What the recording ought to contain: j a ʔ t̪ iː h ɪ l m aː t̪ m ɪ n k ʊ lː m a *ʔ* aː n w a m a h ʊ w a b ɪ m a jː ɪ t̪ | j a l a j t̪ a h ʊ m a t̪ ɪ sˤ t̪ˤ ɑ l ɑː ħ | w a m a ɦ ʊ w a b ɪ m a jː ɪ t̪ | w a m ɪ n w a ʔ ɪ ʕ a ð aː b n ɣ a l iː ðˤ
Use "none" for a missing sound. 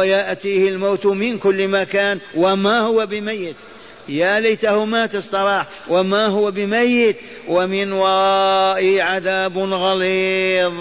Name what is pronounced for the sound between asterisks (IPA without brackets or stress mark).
k